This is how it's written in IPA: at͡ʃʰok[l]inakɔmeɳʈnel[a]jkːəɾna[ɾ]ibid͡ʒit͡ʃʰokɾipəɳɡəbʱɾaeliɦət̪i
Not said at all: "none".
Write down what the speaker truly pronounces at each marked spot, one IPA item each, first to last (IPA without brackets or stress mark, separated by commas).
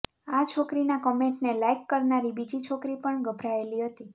ɾ, a, ɾ